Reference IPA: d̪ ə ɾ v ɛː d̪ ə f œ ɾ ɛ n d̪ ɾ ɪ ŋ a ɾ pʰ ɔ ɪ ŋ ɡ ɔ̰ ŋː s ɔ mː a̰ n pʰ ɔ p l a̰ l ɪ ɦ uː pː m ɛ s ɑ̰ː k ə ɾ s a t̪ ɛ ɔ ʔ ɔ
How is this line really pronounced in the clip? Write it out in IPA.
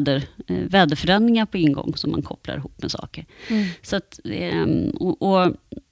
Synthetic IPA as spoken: d̪ ə ɾ v ɛː d̪ ə f œ ɾ ɛ n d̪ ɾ ɪ ŋ a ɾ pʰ ɔ ɪ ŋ ɡ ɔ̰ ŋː s ɔ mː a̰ n kʰ ɔ p l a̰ ɾ ɪ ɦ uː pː m ɛ s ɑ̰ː k ə ɾ s a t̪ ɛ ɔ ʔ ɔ